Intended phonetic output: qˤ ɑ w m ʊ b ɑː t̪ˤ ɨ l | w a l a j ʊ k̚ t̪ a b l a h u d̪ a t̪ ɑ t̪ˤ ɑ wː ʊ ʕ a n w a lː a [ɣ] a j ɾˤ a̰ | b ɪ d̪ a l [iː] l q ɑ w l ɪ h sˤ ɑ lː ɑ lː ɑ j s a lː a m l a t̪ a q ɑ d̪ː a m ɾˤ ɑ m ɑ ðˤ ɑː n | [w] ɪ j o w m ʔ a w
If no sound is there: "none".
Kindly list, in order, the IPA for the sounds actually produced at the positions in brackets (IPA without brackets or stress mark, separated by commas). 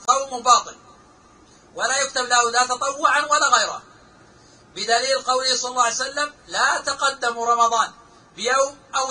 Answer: ɣ, iː, b